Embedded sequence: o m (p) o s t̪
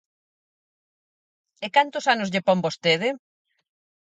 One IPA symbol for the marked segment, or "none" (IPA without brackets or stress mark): b